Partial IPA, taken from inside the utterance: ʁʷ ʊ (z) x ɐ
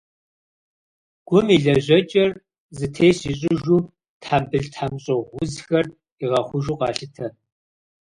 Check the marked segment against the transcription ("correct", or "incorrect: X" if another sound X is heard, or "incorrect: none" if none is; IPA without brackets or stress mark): correct